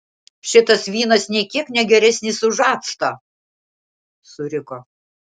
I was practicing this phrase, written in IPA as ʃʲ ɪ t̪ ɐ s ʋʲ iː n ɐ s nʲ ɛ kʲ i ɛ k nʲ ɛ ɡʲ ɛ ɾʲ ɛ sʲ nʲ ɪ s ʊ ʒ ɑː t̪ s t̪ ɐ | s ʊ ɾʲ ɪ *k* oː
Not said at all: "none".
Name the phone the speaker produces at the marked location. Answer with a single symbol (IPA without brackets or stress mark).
k